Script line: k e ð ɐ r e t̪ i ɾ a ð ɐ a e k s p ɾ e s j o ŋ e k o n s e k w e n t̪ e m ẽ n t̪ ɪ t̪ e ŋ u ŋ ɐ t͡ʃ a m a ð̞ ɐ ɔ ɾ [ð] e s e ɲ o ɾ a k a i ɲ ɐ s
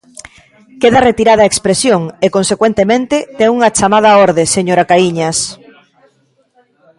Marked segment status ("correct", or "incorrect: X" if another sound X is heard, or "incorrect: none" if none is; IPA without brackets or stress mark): correct